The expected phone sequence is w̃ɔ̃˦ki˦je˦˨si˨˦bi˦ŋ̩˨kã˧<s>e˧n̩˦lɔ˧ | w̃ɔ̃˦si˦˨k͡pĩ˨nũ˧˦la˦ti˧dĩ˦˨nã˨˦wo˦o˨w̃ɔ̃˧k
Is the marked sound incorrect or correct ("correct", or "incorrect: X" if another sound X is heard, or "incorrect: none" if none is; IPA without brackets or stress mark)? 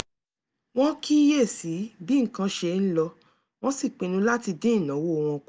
incorrect: ʃ